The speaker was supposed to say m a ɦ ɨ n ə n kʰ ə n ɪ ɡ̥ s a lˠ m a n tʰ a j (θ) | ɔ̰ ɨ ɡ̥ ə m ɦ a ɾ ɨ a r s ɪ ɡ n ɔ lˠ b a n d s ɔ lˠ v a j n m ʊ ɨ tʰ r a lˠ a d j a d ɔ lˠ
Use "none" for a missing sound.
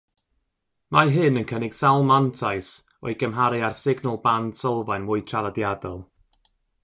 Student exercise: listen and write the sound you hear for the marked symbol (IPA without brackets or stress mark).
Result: s